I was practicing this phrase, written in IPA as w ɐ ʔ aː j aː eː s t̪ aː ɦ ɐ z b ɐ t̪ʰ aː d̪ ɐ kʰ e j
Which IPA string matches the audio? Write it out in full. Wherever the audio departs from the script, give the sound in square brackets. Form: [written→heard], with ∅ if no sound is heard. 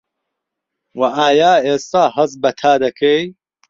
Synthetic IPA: w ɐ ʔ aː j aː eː s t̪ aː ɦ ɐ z b ɐ t̪ʰ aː d̪ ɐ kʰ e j